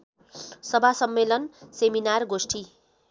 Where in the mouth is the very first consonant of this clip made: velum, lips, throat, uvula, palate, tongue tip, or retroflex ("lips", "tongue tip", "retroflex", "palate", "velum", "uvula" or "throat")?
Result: tongue tip